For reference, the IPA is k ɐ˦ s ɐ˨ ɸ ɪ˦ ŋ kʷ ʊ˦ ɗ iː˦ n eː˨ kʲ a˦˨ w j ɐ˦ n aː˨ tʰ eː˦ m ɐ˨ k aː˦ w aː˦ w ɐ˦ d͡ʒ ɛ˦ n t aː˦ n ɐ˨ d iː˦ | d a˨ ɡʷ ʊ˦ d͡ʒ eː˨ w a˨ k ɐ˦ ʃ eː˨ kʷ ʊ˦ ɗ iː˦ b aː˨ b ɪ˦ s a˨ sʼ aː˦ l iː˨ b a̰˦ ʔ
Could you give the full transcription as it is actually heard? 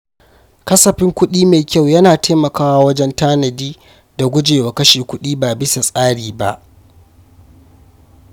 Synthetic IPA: k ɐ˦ s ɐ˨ ɸ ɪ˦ ŋ kʷ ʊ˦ ɗ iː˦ m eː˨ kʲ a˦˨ w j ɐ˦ n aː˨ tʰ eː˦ m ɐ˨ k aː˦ w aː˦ w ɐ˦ d͡ʒ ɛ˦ n t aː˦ n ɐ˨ d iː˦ | d a˨ ɡʷ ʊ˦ d͡ʒ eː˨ w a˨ k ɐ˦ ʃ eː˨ kʷ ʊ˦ ɗ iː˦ b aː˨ b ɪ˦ s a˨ sʼ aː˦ ɽ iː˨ b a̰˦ ʔ